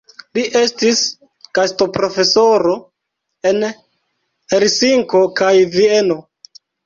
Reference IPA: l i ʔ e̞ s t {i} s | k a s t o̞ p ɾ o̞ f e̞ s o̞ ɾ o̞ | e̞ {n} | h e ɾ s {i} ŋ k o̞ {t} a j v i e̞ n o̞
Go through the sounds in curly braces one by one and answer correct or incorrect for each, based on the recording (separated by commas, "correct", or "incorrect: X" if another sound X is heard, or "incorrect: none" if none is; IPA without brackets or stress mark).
correct, correct, correct, incorrect: k